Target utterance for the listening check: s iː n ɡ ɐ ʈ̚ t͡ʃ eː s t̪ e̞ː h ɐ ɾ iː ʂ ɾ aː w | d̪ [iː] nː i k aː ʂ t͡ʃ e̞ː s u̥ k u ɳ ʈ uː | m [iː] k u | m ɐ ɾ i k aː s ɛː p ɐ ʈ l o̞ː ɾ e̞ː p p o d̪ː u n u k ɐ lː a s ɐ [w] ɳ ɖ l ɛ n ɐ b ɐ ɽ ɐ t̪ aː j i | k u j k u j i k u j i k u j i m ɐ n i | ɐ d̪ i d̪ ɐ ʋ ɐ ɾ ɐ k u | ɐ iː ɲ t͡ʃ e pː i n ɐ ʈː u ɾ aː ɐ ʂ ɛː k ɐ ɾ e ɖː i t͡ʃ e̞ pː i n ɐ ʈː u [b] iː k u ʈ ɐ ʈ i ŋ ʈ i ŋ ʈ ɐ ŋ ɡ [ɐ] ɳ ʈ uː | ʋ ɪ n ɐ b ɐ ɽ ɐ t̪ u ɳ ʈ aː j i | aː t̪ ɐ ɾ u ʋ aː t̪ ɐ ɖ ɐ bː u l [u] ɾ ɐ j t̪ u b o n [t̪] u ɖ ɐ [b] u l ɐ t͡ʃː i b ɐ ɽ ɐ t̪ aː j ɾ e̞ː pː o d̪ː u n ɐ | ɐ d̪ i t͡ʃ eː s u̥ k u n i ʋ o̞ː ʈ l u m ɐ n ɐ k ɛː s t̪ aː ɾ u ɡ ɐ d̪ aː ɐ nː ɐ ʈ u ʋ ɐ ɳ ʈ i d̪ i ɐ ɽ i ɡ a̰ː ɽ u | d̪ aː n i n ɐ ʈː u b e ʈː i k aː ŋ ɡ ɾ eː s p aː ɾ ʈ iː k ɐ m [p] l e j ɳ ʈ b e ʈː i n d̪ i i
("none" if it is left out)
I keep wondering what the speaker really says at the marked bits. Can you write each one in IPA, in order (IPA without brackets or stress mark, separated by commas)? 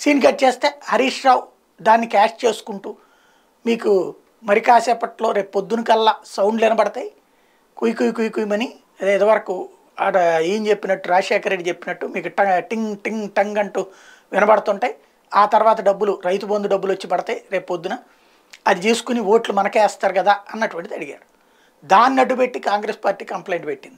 aː, iː, w, m, ɐ, u, d̪, bː, p